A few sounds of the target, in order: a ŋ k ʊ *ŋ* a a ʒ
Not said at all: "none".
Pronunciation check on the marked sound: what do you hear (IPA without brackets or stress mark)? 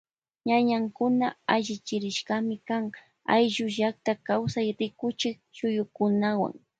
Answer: n